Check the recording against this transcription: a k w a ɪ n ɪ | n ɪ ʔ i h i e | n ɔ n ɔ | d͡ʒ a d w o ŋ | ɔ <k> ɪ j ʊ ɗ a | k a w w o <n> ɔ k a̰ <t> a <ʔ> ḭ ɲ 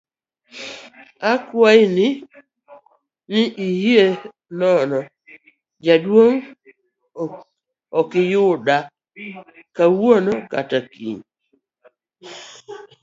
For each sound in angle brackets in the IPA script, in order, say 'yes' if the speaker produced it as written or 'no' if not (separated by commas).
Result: yes, yes, yes, no